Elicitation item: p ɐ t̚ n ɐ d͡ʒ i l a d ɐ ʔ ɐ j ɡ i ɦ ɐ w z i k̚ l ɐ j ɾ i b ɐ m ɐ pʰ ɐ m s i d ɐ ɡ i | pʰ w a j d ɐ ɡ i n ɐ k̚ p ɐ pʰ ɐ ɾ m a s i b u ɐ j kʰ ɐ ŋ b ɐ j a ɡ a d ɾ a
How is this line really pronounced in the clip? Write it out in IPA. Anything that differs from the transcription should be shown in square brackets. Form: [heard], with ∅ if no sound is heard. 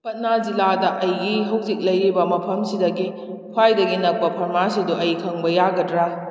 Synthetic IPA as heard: p ɐ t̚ n [a] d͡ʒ i l a d ɐ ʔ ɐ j ɡ i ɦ ɐ w z i k̚ l ɐ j ɾ i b ɐ m ɐ pʰ ɐ m s i d ɐ ɡ i | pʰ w a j d ɐ ɡ i n ɐ k̚ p ɐ pʰ ɐ ɾ m a s i [d] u ɐ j kʰ ɐ ŋ b ɐ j a ɡ [ɐ] d ɾ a